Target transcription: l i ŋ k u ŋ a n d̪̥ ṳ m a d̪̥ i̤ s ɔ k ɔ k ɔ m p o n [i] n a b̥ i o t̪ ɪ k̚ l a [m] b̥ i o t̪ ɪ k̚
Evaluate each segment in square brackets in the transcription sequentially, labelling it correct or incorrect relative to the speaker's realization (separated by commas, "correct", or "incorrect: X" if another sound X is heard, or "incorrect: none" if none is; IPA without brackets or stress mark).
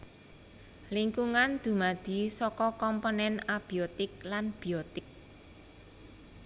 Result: incorrect: ɛ, incorrect: n